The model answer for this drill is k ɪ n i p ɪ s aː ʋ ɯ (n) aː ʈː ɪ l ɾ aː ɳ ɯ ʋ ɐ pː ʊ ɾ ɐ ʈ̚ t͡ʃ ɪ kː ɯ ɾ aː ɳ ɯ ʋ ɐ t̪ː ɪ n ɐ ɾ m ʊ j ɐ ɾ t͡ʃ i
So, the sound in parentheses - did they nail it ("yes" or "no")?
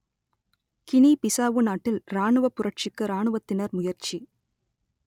yes